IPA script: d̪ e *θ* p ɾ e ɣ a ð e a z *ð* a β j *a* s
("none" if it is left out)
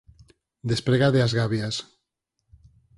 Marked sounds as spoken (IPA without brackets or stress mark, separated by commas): s, ɣ, a